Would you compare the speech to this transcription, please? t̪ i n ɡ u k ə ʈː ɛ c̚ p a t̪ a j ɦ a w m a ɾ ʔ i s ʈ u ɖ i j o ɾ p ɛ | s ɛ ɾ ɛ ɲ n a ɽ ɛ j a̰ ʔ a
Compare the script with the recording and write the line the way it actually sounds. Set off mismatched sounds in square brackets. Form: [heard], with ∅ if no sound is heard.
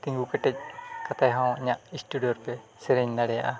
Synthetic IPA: t̪ i [ŋ] ɡ u k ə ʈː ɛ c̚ [k] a t̪ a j ɦ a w [ɲ] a [∅] ʔ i s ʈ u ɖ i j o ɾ p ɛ | s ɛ ɾ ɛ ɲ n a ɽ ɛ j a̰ ʔ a